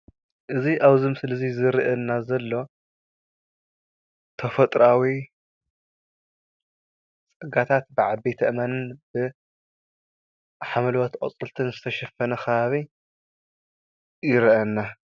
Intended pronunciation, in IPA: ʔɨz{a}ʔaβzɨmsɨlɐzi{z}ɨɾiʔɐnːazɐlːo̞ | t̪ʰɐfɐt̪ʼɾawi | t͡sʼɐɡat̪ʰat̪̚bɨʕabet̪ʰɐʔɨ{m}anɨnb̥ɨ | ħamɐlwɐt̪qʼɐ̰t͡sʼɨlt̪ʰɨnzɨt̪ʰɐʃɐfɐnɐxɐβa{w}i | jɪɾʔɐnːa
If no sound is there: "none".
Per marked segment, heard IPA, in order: i, z, m, β

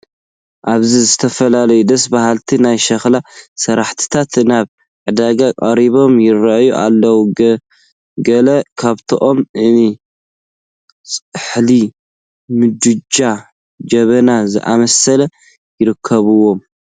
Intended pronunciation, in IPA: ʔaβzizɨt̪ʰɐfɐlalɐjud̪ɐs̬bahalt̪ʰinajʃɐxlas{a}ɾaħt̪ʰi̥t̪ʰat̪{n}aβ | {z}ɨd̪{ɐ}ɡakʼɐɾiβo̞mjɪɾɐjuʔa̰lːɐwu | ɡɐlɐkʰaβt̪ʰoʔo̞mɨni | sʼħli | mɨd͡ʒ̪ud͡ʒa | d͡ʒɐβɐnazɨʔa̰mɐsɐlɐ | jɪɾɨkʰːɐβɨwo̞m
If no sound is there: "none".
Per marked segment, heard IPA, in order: ɐ, n, ʕ, a

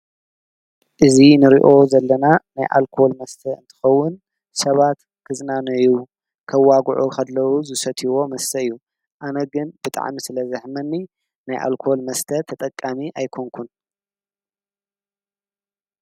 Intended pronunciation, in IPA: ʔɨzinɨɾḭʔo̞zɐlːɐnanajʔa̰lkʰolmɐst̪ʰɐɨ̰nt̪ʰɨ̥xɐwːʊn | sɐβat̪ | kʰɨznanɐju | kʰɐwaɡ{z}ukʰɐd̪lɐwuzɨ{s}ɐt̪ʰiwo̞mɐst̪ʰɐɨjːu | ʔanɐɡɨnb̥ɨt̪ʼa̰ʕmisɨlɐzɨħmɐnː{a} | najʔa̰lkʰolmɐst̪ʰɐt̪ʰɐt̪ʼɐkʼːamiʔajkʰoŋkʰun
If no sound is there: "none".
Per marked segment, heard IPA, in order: ʕ, s, i

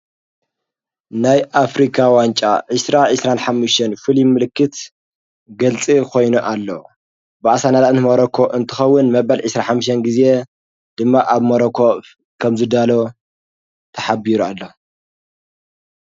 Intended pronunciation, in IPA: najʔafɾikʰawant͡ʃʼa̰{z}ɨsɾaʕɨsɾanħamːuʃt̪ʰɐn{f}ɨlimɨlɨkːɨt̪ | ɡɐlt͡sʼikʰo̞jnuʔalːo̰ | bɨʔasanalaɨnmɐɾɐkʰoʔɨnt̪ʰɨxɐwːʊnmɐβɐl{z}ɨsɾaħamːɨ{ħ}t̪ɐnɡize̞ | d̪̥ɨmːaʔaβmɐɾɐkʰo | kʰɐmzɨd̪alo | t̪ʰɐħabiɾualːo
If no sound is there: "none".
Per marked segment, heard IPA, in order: ʕ, f, ʕ, ʃ

